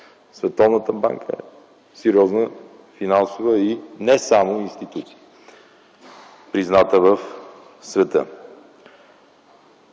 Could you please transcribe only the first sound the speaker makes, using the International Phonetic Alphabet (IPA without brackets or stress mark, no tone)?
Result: s